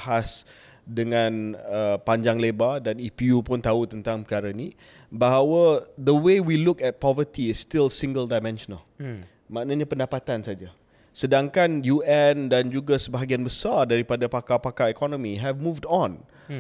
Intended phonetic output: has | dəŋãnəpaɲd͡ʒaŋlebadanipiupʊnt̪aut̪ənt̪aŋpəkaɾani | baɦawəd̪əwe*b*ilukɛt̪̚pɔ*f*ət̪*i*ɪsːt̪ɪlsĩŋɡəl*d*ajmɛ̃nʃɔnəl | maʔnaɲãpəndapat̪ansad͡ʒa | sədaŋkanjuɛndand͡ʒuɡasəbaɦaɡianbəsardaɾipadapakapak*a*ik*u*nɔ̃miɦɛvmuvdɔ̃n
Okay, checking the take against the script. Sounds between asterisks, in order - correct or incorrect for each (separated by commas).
incorrect, incorrect, correct, correct, correct, incorrect